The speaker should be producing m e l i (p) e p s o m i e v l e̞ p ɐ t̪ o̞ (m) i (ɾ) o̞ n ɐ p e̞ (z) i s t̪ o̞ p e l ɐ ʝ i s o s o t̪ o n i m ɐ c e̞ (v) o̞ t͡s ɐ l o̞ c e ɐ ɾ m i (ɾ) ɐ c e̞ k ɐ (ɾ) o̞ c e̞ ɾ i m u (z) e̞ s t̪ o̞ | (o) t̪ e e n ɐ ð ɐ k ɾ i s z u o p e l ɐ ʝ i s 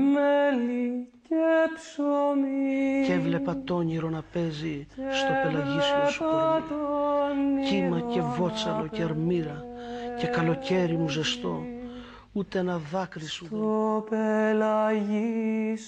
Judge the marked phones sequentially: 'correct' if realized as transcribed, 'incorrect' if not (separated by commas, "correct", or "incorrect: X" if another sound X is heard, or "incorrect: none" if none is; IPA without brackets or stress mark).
incorrect: c, incorrect: ɲ, correct, correct, correct, correct, incorrect: l, correct, incorrect: u